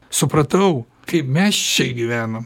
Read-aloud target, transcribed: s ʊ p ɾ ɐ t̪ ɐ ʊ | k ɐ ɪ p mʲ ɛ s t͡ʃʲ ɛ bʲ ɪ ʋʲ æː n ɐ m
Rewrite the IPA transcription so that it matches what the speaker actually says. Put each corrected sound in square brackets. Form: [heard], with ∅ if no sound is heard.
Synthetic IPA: s ʊ p ɾ ɐ t̪ ɐ ʊ | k ɐ ɪ p mʲ ɛ s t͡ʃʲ ɛ [ɡʲ] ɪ ʋʲ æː n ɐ m

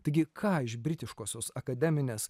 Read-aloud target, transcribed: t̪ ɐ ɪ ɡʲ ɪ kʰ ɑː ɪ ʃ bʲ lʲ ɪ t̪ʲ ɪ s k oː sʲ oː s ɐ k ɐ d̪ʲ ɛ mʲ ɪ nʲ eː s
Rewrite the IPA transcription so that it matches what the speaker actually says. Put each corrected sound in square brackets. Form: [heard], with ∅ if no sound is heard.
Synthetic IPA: t̪ ɐ ɪ ɡʲ ɪ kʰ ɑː ɪ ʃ bʲ [ɾʲ] ɪ t̪ʲ ɪ [ʃ] k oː sʲ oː s ɐ k ɐ d̪ʲ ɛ mʲ ɪ nʲ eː s

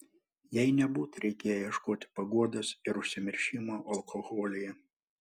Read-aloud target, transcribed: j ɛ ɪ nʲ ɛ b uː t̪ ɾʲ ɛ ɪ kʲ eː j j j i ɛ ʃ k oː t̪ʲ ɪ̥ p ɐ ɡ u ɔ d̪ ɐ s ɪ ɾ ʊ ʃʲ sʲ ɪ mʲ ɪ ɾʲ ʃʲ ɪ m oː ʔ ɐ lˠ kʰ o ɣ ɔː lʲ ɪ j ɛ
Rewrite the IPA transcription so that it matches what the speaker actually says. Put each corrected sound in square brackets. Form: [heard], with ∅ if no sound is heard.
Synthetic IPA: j ɛ ɪ nʲ ɛ b uː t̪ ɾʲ ɛ ɪ kʲ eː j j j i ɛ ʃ k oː t̪ʲ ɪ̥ p ɐ ɡ u ɔ d̪ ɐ s ɪ ɾ ʊ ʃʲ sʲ ɪ mʲ ɪ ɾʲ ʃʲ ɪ m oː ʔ ɐ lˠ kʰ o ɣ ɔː lʲ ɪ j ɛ

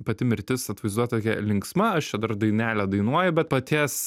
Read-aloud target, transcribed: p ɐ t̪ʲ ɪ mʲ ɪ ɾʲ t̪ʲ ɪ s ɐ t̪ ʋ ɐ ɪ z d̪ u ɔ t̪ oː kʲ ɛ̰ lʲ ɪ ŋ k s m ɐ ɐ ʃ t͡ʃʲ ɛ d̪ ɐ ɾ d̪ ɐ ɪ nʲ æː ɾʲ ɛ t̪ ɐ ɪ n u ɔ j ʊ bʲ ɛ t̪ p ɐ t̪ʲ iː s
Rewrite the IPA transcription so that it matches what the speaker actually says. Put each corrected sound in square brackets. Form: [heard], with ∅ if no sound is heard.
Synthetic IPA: p ɐ t̪ʲ ɪ mʲ ɪ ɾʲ t̪ʲ ɪ s ɐ t̪ ʋ ɐ ɪ z d̪ u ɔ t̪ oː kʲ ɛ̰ lʲ ɪ ŋ k s m ɐ ɐ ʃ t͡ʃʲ ɛ d̪ ɐ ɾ d̪ ɐ ɪ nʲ æː [lʲ] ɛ [d̪] ɐ ɪ n u ɔ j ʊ bʲ ɛ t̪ p ɐ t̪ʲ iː s

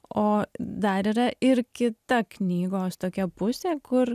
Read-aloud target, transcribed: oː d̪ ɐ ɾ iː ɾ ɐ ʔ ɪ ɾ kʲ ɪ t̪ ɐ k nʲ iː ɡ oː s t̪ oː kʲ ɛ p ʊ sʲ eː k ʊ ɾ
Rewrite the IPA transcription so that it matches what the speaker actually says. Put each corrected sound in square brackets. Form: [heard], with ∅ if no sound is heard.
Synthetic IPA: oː d̪ ɐ ɾ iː ɾ ɐ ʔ ɪ ɾ kʲ ɪ t̪ ɐ k nʲ iː ɡ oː s t̪ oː kʲ ɛ p ʊ sʲ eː k ʊ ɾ

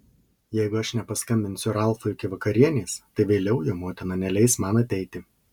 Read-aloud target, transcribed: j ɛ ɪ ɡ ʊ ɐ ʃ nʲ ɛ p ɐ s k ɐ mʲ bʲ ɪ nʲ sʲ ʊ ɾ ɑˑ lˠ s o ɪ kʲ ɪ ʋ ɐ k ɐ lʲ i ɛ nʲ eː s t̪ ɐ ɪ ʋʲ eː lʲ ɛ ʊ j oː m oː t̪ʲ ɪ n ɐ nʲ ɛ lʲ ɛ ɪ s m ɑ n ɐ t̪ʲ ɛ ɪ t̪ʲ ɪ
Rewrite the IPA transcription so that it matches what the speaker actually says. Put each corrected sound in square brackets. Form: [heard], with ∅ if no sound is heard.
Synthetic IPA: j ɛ ɪ ɡ ʊ ɐ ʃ nʲ ɛ p ɐ s k ɐ mʲ bʲ ɪ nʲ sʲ ʊ ɾ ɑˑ lˠ [f] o ɪ kʲ ɪ ʋ ɐ k ɐ [ɾʲ] i ɛ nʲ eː s t̪ ɐ ɪ ʋʲ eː lʲ ɛ ʊ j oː m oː t̪ʲ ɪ n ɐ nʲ ɛ lʲ ɛ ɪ s m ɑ n ɐ t̪ʲ ɛ ɪ t̪ʲ ɪ

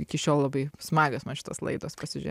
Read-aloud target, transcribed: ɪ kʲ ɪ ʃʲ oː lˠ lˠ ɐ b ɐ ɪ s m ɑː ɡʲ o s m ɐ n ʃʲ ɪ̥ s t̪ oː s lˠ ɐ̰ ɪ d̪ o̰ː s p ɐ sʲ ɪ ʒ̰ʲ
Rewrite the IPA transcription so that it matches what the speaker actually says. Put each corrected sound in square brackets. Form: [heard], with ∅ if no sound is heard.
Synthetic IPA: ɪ kʲ ɪ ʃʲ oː lˠ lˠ ɐ b ɐ ɪ s m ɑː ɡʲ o s m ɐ n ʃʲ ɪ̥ [∅] t̪ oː s lˠ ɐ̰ ɪ d̪ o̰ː s p ɐ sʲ ɪ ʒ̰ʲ

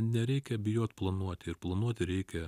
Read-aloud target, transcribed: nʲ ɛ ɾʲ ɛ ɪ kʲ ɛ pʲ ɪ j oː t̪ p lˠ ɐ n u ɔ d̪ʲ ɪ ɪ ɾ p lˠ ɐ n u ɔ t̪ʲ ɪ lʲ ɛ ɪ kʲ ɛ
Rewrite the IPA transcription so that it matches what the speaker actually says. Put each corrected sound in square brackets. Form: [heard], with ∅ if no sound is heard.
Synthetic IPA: nʲ ɛ ɾʲ ɛ ɪ kʲ ɛ [bʲ] ɪ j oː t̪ p lˠ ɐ n u ɔ [t̪ʲ] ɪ ɪ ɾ p lˠ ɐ n u ɔ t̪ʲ ɪ [ɾʲ] ɛ ɪ kʲ ɛ

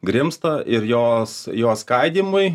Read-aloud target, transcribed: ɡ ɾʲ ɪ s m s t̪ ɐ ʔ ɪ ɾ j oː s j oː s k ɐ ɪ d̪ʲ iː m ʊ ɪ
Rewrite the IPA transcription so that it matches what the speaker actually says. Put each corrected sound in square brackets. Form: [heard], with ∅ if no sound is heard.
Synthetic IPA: ɡ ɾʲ ɪ [∅] m s t̪ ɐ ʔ ɪ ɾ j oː s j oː s k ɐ ɪ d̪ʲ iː m ʊ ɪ

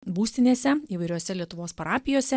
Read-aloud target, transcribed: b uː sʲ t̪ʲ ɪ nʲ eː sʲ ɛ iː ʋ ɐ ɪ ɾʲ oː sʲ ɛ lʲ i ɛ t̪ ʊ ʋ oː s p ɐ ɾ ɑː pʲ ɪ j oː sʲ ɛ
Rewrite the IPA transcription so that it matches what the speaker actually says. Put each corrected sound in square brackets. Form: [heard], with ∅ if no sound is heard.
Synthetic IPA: b uː sʲ t̪ʲ ɪ nʲ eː sʲ ɛ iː ʋ ɐ ɪ ɾʲ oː sʲ ɛ lʲ i ɛ t̪ ʊ ʋ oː s p ɐ ɾ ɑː pʲ ɪ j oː sʲ ɛ

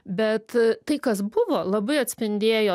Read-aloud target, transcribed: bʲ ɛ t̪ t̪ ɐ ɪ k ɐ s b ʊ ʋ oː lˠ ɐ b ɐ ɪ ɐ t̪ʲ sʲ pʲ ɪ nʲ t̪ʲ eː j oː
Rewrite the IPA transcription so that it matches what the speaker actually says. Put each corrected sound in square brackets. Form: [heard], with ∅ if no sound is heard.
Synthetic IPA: bʲ ɛ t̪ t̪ ɐ ɪ k ɐ s b ʊ ʋ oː lˠ ɐ b ɐ ɪ ɐ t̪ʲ sʲ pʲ ɪ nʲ [d̪ʲ] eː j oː

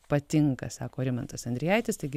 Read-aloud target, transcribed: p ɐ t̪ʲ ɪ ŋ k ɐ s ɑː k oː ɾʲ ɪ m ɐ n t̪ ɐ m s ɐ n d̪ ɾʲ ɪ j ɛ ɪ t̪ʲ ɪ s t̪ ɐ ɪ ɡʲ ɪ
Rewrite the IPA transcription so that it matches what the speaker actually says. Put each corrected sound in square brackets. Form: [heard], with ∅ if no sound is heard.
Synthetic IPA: p ɐ t̪ʲ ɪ ŋ k ɐ s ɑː k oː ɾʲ ɪ m ɐ n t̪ ɐ [∅] s ɐ n d̪ ɾʲ ɪ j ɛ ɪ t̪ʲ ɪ s t̪ ɐ ɪ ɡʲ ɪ

